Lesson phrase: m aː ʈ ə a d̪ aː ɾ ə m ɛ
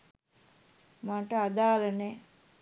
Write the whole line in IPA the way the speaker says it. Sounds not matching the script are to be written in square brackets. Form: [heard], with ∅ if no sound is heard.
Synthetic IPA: m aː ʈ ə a d̪ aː [l] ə [n] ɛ

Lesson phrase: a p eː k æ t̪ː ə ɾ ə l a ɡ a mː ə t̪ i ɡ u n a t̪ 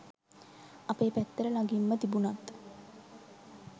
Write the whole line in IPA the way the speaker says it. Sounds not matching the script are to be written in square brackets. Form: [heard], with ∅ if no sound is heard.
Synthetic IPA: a p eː [p] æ t̪ː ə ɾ ə l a ɡ [i] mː ə t̪ i [b] u n a t̪

